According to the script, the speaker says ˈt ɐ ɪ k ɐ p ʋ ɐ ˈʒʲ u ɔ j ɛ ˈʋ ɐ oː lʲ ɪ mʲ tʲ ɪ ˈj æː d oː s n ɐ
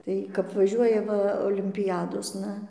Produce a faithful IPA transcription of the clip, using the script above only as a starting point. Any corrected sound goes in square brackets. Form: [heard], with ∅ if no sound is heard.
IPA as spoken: ˈt ɐ ɪ k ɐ p ʋ ɐ ˈʒʲ u ɔ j ɛ ˈʋ ɐ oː lʲ ɪ mʲ [pʲ] ɪ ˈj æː d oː s n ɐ